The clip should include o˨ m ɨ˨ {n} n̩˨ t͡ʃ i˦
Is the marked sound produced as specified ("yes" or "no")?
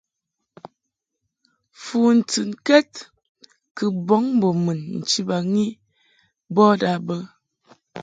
yes